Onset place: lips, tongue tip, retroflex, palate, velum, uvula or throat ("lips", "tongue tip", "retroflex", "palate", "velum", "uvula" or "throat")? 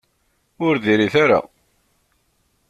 tongue tip